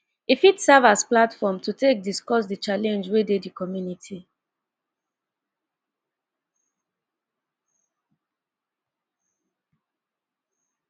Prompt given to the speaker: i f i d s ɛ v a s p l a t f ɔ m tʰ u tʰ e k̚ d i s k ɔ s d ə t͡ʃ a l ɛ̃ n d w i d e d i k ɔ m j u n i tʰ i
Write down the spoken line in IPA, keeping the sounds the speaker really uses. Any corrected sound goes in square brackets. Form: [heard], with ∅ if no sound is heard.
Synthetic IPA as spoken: i f i [t] s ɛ v a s p l a t f ɔ m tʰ u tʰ e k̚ d i s k ɔ s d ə t͡ʃ a l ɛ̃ n [d͡ʒ] w [e] d e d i k ɔ m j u n i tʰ i